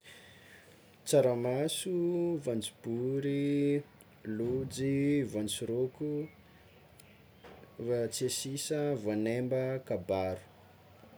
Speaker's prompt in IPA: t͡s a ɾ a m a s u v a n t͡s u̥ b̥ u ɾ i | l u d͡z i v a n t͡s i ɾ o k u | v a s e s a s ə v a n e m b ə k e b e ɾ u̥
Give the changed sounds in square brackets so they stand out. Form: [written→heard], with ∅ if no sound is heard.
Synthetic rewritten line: t͡s a ɾ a m a s u v a n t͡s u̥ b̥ u ɾ i | l u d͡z i v a n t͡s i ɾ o k u | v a [s→t͡s] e s [a→i] s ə v a n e m b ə k [e→a] b [e→a] ɾ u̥

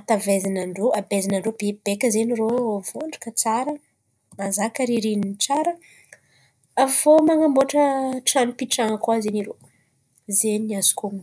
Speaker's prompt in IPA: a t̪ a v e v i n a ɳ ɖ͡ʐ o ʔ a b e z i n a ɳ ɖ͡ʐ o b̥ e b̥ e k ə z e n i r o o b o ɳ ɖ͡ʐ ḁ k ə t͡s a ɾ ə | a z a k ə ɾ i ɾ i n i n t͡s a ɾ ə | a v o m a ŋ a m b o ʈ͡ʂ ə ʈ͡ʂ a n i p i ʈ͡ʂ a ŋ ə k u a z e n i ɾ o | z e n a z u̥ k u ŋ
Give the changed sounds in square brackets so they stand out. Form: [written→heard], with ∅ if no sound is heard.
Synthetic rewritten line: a t̪ a v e [v→z] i n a ɳ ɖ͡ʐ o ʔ a b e z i n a ɳ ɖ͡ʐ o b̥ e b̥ e k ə z e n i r o o [b→v] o ɳ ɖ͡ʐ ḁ k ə t͡s a ɾ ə | a z a k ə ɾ i ɾ i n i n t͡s a ɾ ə | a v o m a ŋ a m b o ʈ͡ʂ ə ʈ͡ʂ a n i p i ʈ͡ʂ a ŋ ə k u a z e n i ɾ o | z e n a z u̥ k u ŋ

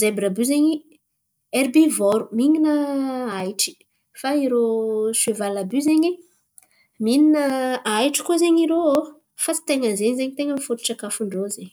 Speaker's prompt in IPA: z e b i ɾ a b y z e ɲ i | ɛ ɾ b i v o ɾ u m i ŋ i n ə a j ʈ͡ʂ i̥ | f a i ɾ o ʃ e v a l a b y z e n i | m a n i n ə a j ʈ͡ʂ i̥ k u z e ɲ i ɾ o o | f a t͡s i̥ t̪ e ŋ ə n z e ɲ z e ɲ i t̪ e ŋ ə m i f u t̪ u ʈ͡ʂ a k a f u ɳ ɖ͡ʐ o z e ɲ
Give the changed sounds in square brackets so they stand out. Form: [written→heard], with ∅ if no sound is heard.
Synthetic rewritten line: z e b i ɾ a b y z e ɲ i | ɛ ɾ b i v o ɾ u m i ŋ i n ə a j ʈ͡ʂ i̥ | f a i ɾ o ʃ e v a l a b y z e [n→ɲ] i | m [a→i] n i n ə a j ʈ͡ʂ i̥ k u z e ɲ i ɾ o o | f a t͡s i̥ t̪ e ŋ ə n z e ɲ z e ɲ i t̪ e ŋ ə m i f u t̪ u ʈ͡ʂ a k a f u ɳ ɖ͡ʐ o z e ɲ

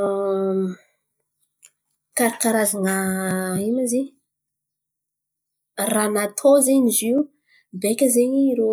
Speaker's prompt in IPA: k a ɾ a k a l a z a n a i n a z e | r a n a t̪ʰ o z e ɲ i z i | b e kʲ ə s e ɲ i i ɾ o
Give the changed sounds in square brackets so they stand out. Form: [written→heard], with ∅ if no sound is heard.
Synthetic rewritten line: k a ɾ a k a [l→ɾ] a z a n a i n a z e | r a n a t̪ʰ o z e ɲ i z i | b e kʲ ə [s→z] e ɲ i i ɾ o

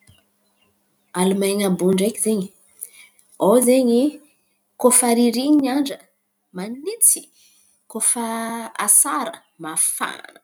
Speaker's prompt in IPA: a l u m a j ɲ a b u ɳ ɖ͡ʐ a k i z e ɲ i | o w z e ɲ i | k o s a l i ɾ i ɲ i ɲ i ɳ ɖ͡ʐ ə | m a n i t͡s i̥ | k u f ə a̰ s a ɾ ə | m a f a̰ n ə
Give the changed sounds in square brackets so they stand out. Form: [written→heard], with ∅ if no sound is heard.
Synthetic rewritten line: a l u m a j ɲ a b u ɳ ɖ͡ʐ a k i z e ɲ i | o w z e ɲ i | k o [s→f] a [l→ɾ] i ɾ i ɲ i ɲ [i→a] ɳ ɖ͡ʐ ə | m a n i t͡s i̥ | k [u→o] f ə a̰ s a ɾ ə | m a f a̰ n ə

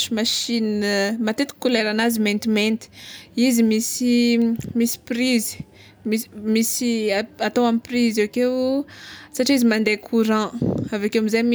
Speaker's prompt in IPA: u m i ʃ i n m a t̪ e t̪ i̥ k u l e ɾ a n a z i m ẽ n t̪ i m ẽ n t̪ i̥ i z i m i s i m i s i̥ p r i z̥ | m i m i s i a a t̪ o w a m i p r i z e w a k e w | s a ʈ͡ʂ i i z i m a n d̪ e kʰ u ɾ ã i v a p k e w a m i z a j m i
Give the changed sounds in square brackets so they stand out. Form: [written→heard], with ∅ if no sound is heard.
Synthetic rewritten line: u m [i→a] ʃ i n m a t̪ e t̪ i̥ k u l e ɾ a n a z i m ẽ n t̪ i m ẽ n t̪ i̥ i z i m i s i m i s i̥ p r i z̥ | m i m i s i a a t̪ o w a m i p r i z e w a k e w | s a ʈ͡ʂ i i z i m a n d̪ e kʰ u ɾ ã [i→a] v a [p→∅] k e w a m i z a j m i

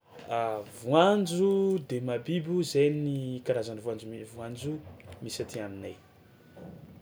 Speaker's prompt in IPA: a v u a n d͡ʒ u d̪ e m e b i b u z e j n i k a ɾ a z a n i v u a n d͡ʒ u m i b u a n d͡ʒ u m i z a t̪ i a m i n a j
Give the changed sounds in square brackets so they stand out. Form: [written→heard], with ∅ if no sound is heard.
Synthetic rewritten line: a v u a n d͡ʒ u d̪ e m [e→a] b i b u z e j n i k a ɾ a z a n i v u a n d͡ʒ u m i [b→v] u a n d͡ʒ u m i [z→s] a t̪ i a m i n a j

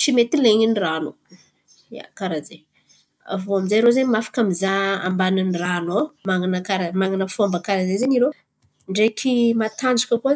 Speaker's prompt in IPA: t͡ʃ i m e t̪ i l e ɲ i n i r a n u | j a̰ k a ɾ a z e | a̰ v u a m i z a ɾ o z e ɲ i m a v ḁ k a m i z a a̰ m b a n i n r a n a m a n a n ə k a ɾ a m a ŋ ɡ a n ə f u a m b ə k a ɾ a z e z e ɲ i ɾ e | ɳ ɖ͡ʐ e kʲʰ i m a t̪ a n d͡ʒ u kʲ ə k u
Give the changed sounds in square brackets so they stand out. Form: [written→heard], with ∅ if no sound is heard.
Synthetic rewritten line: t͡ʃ i m e t̪ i l e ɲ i n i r a n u | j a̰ k a ɾ a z e | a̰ v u a m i z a ɾ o z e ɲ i m a [v→f] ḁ k a m i z a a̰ m b a n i n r a n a m a [n→ŋ] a n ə k a ɾ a m a ŋ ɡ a n ə f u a m b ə k a ɾ a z e z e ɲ i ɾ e | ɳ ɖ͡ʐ e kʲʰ i m a t̪ a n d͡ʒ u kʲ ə k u

